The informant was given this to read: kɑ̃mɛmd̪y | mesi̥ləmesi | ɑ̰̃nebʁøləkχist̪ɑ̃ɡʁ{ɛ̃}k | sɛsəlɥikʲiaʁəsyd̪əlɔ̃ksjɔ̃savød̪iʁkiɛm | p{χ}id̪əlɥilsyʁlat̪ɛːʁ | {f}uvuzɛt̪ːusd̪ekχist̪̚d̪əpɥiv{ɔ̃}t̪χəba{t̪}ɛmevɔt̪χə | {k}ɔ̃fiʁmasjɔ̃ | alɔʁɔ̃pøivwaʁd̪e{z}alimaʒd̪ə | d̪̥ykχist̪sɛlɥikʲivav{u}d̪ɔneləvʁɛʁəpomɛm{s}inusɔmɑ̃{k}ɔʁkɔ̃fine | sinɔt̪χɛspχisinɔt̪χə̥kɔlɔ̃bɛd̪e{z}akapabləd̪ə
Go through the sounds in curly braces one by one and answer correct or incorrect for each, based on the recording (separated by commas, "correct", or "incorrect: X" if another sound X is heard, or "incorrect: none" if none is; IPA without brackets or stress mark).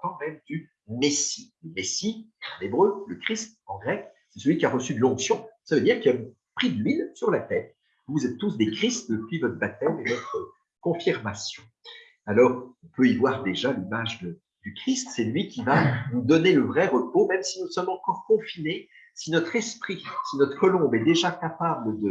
incorrect: ɛ, correct, incorrect: v, incorrect: ɔ, correct, correct, incorrect: ʒ, correct, correct, correct, incorrect: ʒ